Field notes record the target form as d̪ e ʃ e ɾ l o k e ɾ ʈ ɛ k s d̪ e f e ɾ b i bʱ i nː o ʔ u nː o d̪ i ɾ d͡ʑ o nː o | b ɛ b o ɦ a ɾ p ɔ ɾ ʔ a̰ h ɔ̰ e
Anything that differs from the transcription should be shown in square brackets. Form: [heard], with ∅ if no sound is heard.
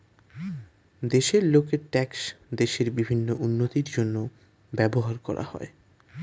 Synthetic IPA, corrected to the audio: d̪ e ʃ e ɾ l o k e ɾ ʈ ɛ k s d̪ e [ʃ] e ɾ b i bʱ i nː o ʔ u nː o [t̪] i ɾ d͡ʑ o nː o | b ɛ b o ɦ a ɾ [k] ɔ ɾ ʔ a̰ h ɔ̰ e